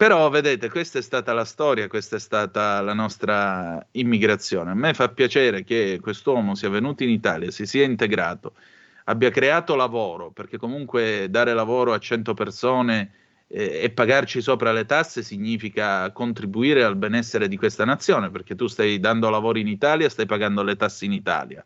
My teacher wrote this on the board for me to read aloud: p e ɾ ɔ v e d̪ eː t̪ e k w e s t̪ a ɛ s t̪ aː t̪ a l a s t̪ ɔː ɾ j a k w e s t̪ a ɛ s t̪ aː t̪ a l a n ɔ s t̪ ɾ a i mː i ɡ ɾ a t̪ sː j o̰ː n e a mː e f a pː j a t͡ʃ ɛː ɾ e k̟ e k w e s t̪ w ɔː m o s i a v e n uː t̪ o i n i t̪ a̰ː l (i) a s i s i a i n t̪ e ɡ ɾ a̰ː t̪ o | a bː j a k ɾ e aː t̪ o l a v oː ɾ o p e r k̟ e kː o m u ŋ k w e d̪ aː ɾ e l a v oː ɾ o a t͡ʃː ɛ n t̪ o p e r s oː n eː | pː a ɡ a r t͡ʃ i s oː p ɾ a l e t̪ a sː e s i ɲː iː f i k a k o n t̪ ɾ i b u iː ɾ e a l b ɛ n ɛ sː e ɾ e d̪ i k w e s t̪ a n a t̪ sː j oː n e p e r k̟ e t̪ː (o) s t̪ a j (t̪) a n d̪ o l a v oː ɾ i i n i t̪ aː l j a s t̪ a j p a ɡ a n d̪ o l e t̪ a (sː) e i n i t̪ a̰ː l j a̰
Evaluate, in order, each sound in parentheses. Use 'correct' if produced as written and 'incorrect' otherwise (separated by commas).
incorrect, incorrect, incorrect, correct